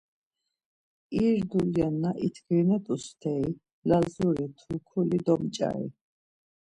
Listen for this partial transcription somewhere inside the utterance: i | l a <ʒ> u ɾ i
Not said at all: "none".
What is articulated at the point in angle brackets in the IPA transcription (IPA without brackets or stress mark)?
z